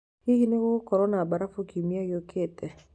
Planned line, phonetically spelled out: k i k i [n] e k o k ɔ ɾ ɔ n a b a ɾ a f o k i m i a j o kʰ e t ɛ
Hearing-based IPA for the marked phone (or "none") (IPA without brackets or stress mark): n